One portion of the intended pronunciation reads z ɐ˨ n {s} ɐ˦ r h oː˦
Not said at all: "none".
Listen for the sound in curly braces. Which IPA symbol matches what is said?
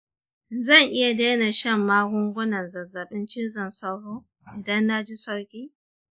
s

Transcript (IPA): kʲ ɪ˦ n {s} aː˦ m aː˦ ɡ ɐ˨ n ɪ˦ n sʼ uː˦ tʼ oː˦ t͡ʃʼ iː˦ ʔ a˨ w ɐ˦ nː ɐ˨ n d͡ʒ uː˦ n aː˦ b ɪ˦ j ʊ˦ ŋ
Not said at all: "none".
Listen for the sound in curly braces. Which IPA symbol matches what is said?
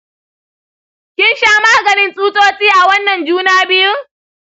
ʃ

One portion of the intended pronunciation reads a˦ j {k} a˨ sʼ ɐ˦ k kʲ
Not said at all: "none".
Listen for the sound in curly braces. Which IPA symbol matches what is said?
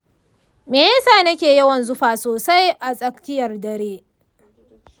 ʔ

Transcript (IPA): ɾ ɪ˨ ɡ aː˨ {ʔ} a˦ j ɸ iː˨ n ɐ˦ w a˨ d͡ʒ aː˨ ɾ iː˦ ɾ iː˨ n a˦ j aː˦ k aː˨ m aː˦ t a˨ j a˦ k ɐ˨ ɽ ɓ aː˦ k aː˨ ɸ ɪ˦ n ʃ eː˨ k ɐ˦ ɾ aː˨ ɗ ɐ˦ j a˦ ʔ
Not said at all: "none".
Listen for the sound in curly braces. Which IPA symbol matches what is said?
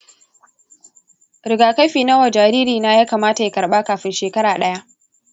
k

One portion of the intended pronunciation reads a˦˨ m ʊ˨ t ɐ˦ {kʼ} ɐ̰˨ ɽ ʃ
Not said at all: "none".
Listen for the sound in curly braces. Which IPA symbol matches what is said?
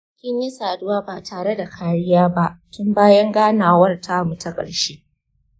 kʼ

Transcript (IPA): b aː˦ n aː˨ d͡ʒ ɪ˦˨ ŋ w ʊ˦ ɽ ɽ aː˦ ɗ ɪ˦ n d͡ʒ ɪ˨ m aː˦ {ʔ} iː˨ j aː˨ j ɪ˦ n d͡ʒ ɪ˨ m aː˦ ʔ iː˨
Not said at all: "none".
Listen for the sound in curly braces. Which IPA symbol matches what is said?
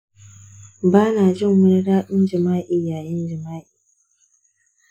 ʔ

